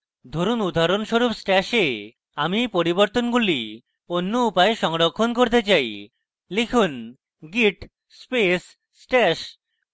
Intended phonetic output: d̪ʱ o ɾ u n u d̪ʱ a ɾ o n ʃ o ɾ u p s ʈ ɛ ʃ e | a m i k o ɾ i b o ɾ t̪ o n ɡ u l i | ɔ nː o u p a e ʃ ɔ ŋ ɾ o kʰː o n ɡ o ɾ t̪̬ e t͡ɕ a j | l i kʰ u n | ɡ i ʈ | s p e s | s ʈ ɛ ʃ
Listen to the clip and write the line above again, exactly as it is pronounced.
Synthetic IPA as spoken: d̪ʱ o ɾ u n u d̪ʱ a ɾ o n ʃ o ɾ u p s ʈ ɛ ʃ e | a m i p o ɾ i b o ɾ t̪ o n ɡ u l i | o nː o u p a e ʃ ɔ ŋ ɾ o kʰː o n k o ɾ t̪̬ e t͡ɕ a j | l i kʰ u n | ɡ i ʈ | s p e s | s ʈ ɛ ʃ